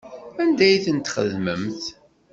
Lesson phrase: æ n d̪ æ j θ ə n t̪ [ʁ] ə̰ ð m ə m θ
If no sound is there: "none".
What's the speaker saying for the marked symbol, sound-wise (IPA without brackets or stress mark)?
χ